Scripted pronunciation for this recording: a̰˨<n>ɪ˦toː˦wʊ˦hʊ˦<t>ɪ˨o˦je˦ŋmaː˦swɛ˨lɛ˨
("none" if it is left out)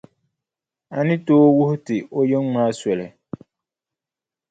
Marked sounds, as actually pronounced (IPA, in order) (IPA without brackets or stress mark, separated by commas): n, t